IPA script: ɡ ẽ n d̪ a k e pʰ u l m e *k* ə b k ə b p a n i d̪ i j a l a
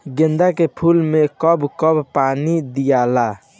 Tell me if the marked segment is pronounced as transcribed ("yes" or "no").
yes